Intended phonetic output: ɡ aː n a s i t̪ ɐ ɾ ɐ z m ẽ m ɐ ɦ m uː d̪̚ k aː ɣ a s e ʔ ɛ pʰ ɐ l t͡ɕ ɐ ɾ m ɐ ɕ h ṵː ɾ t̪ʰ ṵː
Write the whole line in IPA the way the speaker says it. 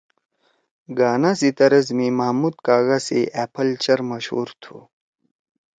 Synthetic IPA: ɡ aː n a s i t̪ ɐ ɾ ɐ z m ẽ m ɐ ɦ m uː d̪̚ k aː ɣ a s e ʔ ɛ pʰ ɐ l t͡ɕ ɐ ɾ m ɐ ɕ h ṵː ɾ t̪ʰ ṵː